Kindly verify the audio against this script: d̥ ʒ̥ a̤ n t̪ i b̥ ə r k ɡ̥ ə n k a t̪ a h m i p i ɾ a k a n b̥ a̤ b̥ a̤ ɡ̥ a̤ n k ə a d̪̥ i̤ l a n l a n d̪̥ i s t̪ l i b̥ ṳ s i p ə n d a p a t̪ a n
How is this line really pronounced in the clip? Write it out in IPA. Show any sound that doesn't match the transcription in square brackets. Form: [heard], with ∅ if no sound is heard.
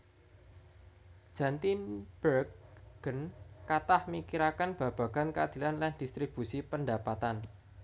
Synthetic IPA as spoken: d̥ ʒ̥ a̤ n t̪ i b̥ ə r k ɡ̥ ə n k a t̪ a h m i [k] i ɾ a k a n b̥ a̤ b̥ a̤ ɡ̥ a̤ n k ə a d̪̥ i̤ l a n l a n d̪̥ i s t̪ [ɾ] i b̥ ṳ s i p ə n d a p a t̪ a n